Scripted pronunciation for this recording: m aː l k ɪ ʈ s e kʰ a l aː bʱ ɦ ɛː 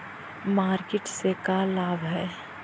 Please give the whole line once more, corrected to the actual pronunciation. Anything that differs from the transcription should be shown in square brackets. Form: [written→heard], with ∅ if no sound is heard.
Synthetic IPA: m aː [l→ɾ] k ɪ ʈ s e [kʰ→k] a l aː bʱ ɦ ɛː